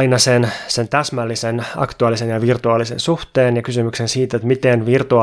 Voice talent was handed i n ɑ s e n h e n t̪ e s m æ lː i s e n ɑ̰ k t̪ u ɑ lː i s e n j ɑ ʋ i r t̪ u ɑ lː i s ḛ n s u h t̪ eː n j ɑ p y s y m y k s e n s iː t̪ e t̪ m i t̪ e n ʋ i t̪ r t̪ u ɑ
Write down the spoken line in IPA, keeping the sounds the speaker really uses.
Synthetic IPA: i n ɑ s e n s e n t̪ æ s m æ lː i s e n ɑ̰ k t̪ u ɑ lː i s e n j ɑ ʋ i r t̪ u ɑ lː i s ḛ n s u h t̪ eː n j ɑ k y s y m y k s e n s iː t̪ e t̪ m i t̪ e n ʋ i r t̪ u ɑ